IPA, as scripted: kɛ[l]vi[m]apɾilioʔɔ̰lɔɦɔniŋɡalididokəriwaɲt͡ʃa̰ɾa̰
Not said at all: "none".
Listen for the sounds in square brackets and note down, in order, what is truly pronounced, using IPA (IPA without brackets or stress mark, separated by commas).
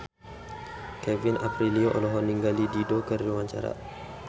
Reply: none, n